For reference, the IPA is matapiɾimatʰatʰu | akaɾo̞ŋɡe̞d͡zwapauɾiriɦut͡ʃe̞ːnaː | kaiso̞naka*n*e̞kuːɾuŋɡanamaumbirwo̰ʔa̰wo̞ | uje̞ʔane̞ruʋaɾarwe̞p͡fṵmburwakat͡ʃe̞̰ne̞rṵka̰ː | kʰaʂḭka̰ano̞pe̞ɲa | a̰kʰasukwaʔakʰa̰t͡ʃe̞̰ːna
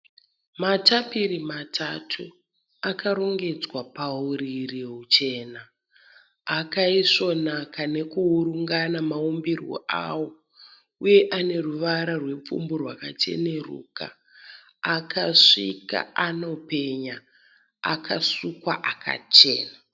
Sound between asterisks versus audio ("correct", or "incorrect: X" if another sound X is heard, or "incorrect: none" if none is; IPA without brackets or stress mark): correct